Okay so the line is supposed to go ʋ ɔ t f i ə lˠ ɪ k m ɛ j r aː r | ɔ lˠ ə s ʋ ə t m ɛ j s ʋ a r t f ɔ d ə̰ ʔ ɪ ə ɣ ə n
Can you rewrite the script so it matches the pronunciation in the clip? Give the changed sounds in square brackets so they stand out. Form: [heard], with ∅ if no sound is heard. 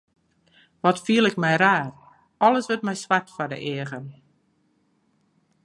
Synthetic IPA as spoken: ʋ ɔ t f i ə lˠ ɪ k m ɛ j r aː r | ɔ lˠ ə s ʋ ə t m ɛ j s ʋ a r t f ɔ d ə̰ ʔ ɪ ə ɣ ə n